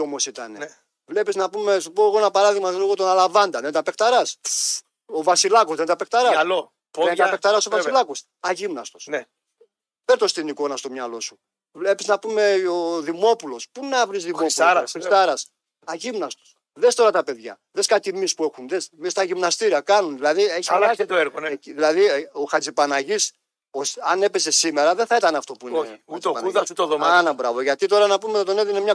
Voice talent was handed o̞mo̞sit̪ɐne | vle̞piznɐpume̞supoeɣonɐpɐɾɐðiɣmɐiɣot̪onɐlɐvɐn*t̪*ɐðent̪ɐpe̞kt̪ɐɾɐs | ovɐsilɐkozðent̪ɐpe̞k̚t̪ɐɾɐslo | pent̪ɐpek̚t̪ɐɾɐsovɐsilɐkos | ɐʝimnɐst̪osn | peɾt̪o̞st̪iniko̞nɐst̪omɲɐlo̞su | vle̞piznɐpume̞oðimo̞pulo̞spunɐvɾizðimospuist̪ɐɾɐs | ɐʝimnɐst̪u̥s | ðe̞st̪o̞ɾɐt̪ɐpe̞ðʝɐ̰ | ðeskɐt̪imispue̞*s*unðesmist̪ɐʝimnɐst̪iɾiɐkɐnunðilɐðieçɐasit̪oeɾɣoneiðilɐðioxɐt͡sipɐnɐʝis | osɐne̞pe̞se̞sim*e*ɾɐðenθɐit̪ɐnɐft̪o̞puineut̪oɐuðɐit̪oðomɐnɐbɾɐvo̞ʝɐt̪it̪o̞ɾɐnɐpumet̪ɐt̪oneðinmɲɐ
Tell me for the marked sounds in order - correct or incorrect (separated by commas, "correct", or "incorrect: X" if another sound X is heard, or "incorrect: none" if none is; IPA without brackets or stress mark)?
incorrect: d̪, incorrect: x, correct